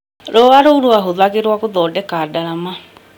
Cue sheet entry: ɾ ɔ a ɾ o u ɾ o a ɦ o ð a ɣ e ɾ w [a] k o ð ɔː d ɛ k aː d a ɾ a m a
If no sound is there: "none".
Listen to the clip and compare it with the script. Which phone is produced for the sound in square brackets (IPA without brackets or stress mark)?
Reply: a